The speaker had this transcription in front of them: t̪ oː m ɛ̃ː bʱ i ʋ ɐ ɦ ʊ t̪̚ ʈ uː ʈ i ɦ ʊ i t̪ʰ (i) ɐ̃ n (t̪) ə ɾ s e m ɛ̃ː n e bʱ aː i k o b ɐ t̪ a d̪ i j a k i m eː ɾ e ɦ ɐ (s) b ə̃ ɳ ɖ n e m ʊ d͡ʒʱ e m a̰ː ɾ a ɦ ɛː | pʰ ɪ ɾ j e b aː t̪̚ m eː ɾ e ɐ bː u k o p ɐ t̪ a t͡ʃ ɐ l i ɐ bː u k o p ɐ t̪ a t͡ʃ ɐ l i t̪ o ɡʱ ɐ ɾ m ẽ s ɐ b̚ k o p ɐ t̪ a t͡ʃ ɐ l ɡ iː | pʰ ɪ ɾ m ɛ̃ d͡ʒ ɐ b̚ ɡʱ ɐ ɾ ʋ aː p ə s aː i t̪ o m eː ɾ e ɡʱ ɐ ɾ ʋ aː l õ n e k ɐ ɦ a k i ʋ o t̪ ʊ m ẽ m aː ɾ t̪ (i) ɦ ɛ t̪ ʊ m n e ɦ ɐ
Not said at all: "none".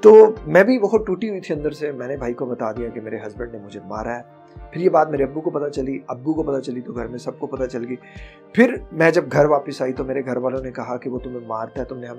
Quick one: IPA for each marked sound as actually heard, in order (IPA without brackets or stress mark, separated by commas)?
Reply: i, d̪, z, a